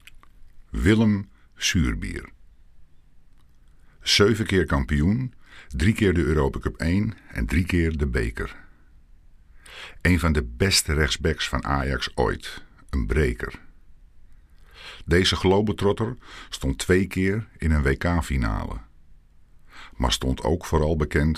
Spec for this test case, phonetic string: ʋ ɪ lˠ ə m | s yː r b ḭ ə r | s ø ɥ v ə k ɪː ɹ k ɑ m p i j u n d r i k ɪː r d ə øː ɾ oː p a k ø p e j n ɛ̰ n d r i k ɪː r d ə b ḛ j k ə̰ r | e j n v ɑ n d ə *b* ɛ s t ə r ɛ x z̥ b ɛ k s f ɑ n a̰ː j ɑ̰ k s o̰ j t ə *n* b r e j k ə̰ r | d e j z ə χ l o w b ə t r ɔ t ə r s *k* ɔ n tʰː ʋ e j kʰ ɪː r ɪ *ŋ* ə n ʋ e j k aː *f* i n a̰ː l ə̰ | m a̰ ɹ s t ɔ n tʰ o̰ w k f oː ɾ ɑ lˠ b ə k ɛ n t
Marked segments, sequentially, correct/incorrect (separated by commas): correct, correct, incorrect, incorrect, correct